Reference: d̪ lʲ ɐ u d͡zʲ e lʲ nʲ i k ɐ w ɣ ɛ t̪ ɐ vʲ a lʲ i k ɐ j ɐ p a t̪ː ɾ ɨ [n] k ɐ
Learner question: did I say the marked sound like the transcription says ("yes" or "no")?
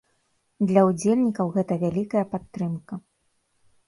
no